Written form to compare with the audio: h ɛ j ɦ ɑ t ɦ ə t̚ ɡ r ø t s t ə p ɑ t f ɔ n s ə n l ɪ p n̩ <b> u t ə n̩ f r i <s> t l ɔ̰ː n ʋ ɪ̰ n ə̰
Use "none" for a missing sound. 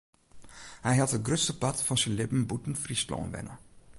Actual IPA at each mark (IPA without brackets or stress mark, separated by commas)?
b, s